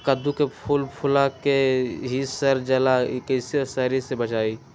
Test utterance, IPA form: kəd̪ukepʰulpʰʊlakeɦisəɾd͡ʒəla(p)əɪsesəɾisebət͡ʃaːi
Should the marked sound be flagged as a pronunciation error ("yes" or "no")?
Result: yes